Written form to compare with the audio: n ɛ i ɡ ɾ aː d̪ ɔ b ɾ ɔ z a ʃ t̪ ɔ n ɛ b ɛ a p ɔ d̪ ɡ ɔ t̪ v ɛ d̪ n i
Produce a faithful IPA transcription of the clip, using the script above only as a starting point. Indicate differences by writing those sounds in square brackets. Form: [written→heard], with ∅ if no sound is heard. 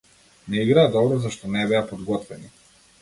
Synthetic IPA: n ɛ i ɡ ɾ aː d̪ ɔ b ɾ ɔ z a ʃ t̪ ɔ n ɛ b ɛ a p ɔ d̪ ɡ ɔ t̪ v ɛ [d̪→∅] n i

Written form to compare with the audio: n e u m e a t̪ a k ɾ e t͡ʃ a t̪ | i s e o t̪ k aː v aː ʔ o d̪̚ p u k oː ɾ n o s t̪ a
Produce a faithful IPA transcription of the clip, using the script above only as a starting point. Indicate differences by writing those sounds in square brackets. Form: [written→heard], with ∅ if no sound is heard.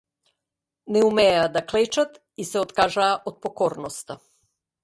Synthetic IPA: n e u m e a [t̪→d̪] a k [ɾ→l] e t͡ʃ a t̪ | i s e o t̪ k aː [v→ʒ] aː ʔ o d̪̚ p [u→o] k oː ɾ n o s t̪ a

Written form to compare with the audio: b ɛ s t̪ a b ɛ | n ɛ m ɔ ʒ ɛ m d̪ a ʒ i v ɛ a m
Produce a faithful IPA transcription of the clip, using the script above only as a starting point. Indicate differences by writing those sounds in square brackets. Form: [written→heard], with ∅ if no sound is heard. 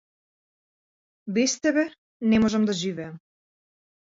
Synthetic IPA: b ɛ s t̪ [a→ɛ] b ɛ | n ɛ m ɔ ʒ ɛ m d̪ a ʒ i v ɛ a m

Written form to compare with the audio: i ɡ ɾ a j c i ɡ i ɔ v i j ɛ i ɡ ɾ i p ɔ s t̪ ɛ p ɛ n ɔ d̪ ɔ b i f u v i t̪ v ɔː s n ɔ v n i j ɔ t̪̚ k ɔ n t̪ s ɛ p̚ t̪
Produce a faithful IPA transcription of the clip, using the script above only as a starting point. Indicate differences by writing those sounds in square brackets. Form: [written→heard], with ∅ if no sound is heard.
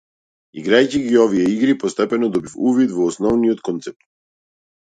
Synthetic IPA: i ɡ ɾ a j c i ɡ i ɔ v i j ɛ i ɡ ɾ i p ɔ s t̪ ɛ p ɛ n ɔ d̪ ɔ b i f u v i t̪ v ɔː s n ɔ v n i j ɔ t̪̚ k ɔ n t̪ s ɛ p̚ t̪

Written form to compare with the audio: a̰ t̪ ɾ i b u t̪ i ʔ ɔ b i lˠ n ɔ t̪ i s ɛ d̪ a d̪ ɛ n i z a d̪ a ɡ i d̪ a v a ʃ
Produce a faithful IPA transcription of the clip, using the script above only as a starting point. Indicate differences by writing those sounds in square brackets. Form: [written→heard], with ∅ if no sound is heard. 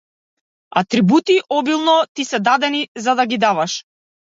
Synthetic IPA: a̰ t̪ ɾ i b u t̪ i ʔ ɔ b i lˠ n ɔ t̪ i s ɛ d̪ a d̪ ɛ n i z a d̪ a ɡ i d̪ a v a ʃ

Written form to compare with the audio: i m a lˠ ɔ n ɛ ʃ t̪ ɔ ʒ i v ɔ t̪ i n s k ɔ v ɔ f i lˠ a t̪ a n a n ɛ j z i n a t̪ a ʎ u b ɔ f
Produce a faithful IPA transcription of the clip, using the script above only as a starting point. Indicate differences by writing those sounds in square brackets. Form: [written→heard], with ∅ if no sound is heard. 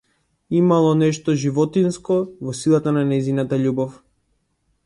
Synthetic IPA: i m a lˠ ɔ n ɛ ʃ t̪ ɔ ʒ i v ɔ t̪ i n s k ɔ v ɔ [f→s] i lˠ a t̪ a n a n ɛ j z i n a t̪ a ʎ u b ɔ f

